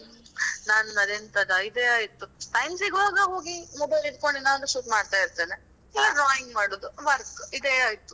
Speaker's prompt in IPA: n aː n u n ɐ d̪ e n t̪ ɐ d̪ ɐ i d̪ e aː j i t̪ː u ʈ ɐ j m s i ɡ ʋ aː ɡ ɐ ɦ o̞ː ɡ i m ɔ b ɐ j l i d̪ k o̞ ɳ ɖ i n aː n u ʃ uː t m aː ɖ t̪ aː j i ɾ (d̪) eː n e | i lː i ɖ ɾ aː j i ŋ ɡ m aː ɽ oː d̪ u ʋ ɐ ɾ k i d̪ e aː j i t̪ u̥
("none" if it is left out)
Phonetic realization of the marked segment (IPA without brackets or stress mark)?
t̪